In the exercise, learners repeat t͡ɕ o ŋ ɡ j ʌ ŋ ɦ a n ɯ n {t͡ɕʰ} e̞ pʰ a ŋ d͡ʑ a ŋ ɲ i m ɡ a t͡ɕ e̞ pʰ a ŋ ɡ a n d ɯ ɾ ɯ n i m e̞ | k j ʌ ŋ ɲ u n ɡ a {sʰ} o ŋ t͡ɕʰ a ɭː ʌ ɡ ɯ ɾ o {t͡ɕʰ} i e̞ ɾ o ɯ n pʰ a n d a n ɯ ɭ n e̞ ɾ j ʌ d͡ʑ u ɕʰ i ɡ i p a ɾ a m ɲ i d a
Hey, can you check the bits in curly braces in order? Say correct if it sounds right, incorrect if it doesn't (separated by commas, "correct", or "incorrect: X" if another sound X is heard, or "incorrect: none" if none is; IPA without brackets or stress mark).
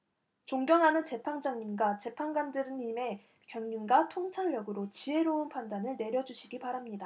incorrect: t͡ɕ, incorrect: tʰ, incorrect: t͡ɕ